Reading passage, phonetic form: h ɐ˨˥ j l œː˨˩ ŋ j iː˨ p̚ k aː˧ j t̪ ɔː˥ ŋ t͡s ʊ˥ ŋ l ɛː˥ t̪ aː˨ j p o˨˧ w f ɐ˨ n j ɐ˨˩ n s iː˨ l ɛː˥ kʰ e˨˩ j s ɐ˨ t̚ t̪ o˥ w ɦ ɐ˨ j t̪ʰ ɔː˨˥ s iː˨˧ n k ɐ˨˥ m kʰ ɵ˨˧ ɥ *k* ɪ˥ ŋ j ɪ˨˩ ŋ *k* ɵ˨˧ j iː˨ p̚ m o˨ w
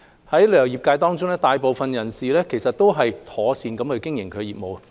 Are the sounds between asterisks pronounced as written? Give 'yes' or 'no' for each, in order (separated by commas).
yes, no